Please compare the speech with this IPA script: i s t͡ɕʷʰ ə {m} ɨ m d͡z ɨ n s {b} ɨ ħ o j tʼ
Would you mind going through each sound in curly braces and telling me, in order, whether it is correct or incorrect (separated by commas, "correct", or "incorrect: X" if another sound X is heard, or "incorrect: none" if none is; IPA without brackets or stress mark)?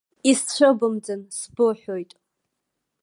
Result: incorrect: b, correct